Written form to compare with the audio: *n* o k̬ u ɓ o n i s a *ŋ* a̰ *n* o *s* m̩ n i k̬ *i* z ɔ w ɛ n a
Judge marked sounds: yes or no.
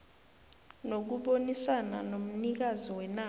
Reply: yes, no, yes, no, no

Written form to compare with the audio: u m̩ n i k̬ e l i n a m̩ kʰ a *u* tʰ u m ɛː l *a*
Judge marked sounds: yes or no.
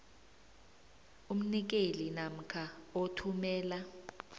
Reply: no, yes

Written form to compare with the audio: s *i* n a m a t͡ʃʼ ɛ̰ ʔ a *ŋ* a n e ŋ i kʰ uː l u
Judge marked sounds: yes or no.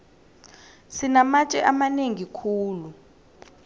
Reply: yes, no

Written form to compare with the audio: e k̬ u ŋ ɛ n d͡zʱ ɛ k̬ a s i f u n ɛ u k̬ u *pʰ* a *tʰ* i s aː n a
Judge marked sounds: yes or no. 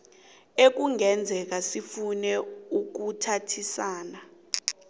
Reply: no, yes

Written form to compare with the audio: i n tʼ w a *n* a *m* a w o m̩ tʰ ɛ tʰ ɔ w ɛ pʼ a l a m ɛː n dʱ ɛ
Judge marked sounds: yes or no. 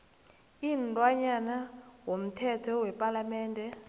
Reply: no, no

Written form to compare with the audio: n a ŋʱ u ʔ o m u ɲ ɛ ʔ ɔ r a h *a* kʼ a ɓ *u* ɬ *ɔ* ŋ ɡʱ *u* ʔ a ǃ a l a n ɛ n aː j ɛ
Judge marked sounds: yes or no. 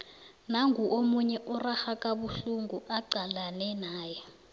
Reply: yes, yes, no, yes

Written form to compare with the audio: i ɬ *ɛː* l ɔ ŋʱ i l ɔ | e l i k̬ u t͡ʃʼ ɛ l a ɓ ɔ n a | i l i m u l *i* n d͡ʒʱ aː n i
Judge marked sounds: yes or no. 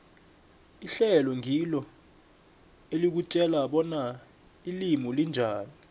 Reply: no, yes

